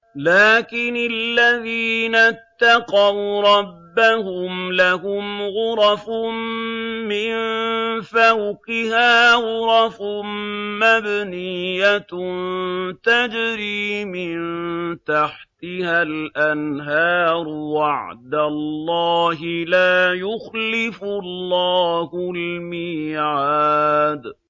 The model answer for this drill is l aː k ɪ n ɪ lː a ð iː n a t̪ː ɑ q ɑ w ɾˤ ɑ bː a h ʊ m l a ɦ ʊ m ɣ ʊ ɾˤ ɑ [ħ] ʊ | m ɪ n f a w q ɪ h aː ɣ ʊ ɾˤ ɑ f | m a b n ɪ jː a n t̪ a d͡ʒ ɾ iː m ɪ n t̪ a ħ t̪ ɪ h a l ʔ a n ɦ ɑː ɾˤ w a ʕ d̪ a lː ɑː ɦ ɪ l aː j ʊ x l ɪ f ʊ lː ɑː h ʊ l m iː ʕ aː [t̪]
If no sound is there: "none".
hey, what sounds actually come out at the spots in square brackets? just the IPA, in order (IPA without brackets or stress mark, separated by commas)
f, d̪